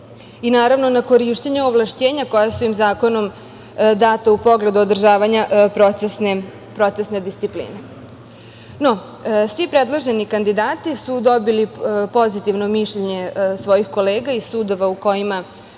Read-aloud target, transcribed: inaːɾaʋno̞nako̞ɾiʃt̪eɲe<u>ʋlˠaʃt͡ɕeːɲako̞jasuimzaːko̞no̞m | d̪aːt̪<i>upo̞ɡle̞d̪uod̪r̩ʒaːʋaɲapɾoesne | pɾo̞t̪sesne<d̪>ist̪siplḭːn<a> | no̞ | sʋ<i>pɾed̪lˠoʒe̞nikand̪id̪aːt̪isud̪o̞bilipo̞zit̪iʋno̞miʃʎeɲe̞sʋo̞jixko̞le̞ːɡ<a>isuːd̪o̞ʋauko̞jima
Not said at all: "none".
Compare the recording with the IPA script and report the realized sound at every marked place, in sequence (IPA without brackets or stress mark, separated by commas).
o, a, d̪, e, i, a